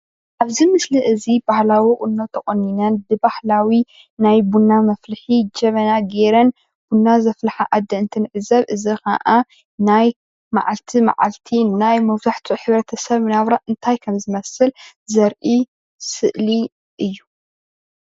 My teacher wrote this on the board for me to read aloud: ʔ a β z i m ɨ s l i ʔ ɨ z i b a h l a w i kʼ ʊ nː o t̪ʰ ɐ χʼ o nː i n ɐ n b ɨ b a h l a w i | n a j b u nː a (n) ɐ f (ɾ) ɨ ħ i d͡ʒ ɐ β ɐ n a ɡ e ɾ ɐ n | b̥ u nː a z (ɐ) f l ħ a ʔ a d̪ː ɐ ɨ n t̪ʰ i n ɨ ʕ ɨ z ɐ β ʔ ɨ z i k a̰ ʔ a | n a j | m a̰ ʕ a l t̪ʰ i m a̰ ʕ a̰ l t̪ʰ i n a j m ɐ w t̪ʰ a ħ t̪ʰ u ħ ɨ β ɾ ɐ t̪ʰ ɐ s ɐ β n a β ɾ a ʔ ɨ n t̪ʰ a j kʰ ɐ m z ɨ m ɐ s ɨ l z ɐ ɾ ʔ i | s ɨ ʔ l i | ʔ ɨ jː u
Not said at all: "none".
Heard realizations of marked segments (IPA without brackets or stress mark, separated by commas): m, l, ɐ